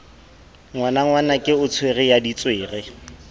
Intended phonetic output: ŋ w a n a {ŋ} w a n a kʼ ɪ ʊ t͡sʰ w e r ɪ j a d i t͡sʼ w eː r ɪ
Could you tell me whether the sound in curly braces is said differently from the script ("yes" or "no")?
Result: no